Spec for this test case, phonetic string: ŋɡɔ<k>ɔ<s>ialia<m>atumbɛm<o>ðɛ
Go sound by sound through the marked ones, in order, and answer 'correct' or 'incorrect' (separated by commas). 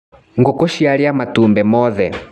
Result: correct, incorrect, correct, incorrect